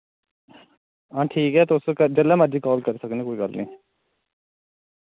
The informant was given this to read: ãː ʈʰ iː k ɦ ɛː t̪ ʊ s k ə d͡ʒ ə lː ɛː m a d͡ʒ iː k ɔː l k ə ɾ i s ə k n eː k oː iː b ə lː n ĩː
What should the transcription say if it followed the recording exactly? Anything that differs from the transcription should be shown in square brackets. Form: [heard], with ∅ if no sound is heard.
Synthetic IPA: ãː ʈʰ iː k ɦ ɛː t̪ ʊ s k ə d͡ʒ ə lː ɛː m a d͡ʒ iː k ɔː l k ə ɾ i s ə k n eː k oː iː [ɡ] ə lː n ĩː